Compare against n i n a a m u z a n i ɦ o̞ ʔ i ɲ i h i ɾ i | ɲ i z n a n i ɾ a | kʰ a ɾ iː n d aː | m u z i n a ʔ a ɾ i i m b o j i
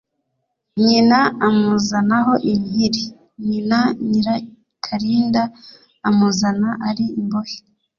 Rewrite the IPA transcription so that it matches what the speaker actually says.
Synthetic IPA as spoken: ɲ i n a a m u z a n a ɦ o̞ ʔ i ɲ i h i ɾ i | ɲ i n a ɲ i ɾ a | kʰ a ɾ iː n d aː | m u z a n a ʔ a ɾ i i m b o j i